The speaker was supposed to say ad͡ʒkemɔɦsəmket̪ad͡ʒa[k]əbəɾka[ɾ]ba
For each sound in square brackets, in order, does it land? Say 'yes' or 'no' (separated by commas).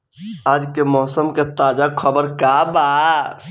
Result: no, no